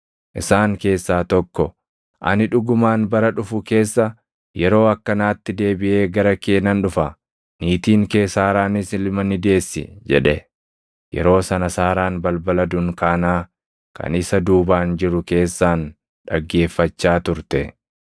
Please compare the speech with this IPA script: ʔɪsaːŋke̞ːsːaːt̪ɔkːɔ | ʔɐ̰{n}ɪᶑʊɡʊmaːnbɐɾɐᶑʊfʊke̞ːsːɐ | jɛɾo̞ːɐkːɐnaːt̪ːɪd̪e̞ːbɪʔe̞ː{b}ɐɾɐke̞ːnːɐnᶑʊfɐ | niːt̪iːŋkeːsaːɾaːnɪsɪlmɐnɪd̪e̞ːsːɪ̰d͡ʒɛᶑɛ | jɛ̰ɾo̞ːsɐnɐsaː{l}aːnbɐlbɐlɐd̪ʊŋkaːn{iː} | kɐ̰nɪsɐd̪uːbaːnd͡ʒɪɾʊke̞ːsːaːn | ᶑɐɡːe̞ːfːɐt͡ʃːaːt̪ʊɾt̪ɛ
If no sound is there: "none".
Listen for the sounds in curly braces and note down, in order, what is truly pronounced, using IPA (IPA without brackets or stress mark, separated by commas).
n, ɡ, ɾ, aː